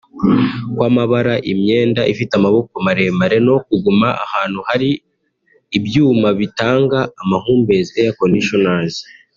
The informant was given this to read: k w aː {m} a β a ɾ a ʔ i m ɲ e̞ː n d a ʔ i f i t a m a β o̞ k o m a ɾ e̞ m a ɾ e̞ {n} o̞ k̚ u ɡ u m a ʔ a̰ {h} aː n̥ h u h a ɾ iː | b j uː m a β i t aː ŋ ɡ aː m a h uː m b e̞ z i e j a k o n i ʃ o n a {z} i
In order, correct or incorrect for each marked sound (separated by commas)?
correct, correct, correct, correct